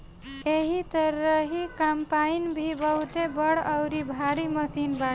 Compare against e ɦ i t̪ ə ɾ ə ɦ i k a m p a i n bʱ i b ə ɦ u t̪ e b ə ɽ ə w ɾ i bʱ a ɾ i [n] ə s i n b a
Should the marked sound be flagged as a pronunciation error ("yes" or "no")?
yes